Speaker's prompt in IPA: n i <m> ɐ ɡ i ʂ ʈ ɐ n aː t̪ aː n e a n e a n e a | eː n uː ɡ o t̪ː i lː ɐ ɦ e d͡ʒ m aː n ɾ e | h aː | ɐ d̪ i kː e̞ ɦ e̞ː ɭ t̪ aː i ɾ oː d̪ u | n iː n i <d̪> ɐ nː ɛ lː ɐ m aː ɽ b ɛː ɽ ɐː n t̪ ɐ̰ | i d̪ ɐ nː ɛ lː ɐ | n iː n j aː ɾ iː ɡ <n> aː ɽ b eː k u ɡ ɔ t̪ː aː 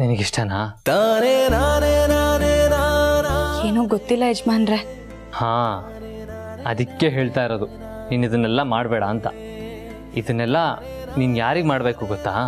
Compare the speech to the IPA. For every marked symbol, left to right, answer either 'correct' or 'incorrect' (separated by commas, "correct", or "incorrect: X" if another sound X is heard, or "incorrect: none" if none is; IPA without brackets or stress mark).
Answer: incorrect: n, correct, incorrect: m